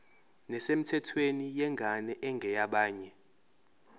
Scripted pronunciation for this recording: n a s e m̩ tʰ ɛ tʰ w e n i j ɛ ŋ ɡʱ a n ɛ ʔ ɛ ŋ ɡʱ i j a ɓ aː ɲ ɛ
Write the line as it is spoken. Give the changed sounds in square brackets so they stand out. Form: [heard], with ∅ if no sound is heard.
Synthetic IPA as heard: n [ɛ] s e m̩ tʰ ɛ tʰ w e n i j ɛ ŋ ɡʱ a n ɛ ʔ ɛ ŋ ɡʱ [ɛ] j a ɓ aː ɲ ɛ